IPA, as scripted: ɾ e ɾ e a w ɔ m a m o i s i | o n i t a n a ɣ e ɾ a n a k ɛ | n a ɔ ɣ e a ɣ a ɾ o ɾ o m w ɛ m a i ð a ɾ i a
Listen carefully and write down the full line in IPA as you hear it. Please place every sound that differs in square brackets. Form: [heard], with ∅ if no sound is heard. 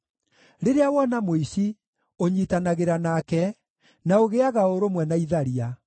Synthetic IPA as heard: ɾ e ɾ e a w ɔ [n] a m o i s i | o [ɲ] i t a n a ɣ e ɾ a n a k ɛ | n a [o] ɣ e a ɣ a [∅] o ɾ o m w ɛ [n] a i ð a ɾ i a